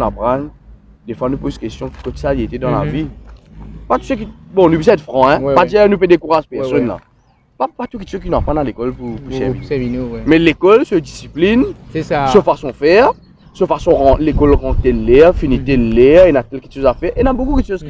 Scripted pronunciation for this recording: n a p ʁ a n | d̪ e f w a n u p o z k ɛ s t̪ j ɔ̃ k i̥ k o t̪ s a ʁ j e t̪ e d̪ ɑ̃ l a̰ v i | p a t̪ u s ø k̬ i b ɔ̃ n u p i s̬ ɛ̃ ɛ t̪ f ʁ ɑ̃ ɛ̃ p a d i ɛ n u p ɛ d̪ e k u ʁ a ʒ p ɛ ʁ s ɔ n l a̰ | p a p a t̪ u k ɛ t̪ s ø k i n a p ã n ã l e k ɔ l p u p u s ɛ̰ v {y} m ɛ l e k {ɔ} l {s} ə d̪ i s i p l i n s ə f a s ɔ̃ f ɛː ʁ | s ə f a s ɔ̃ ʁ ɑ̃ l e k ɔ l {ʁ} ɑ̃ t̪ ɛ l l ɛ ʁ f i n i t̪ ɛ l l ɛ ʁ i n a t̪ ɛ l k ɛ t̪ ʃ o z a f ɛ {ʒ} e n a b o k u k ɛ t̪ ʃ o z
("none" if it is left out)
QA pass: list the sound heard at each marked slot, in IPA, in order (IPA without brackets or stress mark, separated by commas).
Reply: i, ɔ, s, ʁ, ʁ